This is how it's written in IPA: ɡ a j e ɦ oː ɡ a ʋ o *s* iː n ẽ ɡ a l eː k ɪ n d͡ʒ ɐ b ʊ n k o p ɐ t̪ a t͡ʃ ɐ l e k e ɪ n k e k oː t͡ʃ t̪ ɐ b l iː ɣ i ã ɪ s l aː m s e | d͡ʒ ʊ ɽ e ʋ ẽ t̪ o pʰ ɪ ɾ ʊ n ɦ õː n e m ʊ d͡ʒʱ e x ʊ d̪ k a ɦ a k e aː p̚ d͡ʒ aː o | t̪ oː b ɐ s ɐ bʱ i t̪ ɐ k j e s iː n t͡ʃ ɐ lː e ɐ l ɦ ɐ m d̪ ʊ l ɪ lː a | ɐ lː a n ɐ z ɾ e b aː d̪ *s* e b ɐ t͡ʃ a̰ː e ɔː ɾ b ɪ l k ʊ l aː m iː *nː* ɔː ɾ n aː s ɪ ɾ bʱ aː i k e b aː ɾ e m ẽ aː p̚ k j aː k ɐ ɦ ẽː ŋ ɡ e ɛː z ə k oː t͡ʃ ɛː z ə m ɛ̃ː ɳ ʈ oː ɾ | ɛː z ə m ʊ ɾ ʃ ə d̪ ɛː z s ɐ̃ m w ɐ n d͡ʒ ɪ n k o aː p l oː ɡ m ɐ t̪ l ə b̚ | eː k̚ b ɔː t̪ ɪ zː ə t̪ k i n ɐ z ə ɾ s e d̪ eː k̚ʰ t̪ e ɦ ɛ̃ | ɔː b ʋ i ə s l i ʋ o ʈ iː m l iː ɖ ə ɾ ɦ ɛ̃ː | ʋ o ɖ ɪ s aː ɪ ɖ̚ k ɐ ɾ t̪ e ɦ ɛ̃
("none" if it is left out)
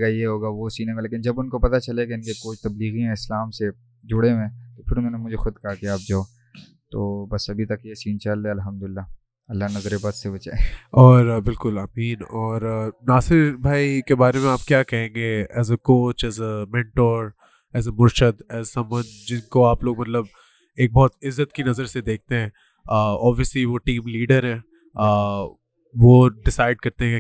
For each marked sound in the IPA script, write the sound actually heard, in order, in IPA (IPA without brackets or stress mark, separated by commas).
s, s, n